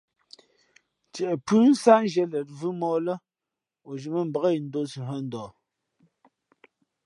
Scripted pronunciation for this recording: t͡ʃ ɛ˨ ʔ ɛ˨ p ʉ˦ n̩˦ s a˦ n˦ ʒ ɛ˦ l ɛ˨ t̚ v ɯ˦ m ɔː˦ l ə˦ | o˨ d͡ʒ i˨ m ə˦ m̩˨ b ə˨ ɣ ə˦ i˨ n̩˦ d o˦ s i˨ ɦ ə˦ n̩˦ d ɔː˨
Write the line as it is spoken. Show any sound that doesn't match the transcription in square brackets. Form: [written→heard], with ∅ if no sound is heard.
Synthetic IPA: t͡ʃ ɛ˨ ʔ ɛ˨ p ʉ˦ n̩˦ s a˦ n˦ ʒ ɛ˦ l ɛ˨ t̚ v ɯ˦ m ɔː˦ l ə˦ | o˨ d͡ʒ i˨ m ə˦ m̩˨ b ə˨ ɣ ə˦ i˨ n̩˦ d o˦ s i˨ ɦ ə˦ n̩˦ d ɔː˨